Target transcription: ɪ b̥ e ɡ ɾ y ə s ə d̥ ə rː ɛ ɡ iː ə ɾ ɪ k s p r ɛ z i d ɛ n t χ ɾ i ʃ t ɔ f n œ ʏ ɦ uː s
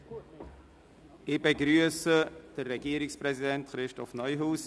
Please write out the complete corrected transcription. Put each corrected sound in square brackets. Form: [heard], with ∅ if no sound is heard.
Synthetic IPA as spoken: ɪ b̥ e ɡ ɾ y ə s ə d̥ ə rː ɛ ɡ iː ə ɾ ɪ k s p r ɛ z i d ɛ n t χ ɾ [ɪ] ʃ t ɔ f n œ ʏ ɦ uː s